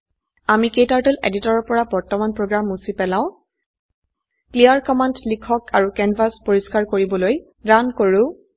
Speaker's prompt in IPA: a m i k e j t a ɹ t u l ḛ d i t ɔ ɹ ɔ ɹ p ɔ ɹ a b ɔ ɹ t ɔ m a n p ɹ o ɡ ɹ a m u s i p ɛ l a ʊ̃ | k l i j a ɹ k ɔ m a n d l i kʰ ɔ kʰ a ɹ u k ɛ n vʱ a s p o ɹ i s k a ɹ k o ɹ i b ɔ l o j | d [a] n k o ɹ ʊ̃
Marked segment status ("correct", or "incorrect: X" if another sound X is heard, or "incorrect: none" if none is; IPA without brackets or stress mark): correct